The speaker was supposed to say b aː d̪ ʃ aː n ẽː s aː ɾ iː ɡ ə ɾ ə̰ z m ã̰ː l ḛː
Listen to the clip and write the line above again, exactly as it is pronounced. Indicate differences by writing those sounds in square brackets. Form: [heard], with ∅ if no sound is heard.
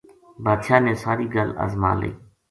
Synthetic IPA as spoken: b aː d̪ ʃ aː n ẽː s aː ɾ iː ɡ ə [l] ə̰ z m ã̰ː l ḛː